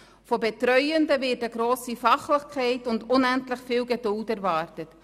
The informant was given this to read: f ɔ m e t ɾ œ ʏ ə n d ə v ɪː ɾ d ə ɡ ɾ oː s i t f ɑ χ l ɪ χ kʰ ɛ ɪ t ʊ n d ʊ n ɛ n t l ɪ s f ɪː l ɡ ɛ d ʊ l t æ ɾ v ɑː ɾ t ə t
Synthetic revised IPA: f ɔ b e t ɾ œ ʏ ə n d ə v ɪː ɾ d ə ɡ ɾ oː s i f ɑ χ l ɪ χ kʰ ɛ ɪ t ʊ n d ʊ n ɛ n t l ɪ χ f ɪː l ɡ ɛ d ʊ l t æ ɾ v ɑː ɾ t ə t